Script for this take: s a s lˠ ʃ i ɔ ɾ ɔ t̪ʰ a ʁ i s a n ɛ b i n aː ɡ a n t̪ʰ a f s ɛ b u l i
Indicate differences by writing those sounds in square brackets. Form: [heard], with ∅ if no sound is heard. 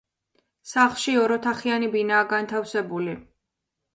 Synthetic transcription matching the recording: s a [χ] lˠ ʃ i ɔ ɾ ɔ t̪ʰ a [χ] i [∅] a n [i] b i n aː ɡ a n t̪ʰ a f s ɛ b u l i